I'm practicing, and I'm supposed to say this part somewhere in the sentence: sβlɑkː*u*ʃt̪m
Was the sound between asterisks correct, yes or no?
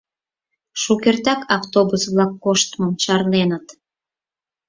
no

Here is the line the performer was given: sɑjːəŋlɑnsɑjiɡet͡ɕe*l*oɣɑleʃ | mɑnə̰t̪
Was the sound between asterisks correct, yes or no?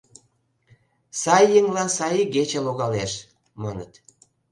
yes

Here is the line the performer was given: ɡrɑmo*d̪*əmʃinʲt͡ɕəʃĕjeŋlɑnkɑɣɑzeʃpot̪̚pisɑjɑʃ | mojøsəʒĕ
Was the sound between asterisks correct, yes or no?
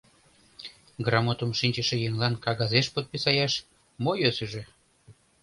no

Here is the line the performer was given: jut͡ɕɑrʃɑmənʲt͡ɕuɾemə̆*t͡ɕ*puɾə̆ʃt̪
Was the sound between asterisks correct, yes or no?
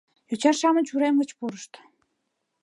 yes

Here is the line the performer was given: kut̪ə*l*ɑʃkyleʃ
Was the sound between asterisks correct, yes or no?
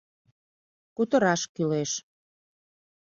no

